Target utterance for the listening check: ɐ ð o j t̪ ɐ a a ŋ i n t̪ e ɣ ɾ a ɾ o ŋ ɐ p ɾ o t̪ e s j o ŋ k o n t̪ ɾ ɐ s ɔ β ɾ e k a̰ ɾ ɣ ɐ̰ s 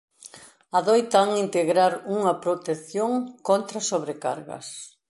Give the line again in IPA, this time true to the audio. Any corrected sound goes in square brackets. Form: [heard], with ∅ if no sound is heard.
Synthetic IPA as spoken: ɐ ð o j t̪ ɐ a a ŋ i n t̪ e ɣ ɾ a ɾ [u] ŋ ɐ p ɾ o t̪ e [θ] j o ŋ k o n t̪ ɾ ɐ s [o] β ɾ e k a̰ ɾ ɣ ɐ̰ s